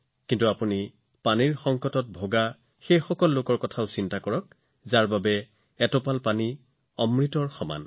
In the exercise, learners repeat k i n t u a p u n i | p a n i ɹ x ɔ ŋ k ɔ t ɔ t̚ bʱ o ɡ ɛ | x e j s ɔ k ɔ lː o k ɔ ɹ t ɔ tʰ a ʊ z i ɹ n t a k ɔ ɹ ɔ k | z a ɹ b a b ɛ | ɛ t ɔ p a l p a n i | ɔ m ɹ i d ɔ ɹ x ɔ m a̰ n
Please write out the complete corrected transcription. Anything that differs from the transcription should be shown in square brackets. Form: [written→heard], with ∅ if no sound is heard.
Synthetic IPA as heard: k i n t u a p u n i | p a n i ɹ x ɔ ŋ k ɔ t ɔ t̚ bʱ o ɡ [ɛ→a] | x e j [s→x] ɔ k ɔ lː o k ɔ ɹ [t→k] ɔ tʰ a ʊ [z→s] i [ɹ→∅] n t a k ɔ ɹ ɔ k | z a ɹ b a b ɛ | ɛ t ɔ p a l p a n i | ɔ m ɹ i [d→t] ɔ ɹ x ɔ m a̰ n